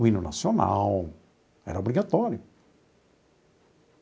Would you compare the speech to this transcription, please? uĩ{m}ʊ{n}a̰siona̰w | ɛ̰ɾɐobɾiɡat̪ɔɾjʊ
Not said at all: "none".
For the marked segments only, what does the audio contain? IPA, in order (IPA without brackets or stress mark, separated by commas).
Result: n, n